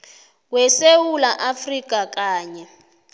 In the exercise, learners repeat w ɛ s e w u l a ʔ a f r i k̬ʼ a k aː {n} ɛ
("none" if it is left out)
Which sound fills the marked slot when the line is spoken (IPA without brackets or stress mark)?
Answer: ɲ